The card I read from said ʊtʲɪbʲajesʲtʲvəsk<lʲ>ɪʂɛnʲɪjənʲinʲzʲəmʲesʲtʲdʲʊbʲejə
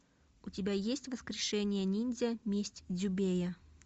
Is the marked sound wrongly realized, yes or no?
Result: yes